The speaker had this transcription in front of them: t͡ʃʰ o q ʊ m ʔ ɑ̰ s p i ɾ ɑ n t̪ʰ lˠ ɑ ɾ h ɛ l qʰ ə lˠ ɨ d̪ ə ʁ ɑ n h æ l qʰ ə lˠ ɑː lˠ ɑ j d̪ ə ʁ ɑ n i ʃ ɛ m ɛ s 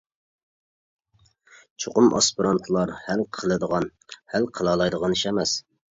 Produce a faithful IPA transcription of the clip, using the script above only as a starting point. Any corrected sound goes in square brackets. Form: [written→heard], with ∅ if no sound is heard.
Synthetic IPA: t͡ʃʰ o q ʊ m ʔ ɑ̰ s p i ɾ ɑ n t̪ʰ lˠ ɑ ɾ h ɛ l qʰ ə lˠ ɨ d̪ ə ʁ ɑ n h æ l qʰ ə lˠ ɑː lˠ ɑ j d̪ ə ʁ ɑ n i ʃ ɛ m ɛ s